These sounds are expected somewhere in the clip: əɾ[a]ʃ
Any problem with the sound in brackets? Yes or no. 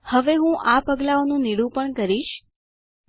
yes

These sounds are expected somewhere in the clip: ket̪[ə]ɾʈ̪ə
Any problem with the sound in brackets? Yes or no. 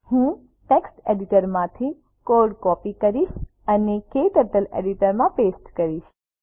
no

